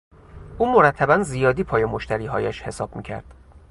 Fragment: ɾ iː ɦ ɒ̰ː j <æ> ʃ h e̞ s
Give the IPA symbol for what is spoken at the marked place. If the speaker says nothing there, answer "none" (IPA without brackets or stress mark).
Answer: æ